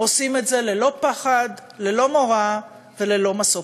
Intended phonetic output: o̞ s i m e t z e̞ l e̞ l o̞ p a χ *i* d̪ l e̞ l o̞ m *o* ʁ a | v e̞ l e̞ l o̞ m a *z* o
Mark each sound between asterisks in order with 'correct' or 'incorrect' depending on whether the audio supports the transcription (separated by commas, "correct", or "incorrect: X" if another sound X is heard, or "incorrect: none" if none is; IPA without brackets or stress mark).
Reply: incorrect: a, correct, incorrect: s